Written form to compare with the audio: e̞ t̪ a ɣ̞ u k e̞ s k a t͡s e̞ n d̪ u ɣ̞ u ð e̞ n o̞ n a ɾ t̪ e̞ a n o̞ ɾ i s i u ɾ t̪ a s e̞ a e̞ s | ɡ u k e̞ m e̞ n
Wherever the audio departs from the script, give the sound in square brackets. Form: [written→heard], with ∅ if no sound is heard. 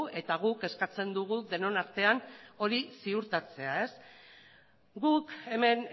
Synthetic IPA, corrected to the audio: e̞ t̪ a ɣ̞ u k e̞ s k a t͡s e̞ n d̪ u ɣ̞ u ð e̞ n o̞ n a ɾ t̪ e̞ a n o̞ ɾ i s i u ɾ t̪ a [s→t͡s] e̞ a e̞ s | ɡ u k e̞ m e̞ n